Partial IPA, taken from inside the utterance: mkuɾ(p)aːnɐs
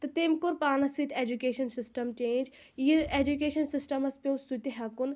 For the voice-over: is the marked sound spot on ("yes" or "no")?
yes